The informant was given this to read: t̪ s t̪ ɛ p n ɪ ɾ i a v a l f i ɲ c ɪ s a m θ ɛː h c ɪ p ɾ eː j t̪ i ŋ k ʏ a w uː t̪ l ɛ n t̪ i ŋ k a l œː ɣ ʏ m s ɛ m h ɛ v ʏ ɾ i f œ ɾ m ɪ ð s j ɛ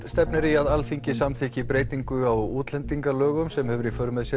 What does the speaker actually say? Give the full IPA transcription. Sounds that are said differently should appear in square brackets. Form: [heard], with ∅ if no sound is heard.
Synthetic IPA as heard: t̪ s t̪ ɛ p n ɪ ɾ i a [ð] a l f i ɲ c ɪ s a m θ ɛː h c ɪ p ɾ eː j t̪ i ŋ k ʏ a w uː t̪ l ɛ n t̪ i ŋ k a l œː ɣ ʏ m s ɛ m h ɛ v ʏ ɾ i f œ ɾ m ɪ ð s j ɛ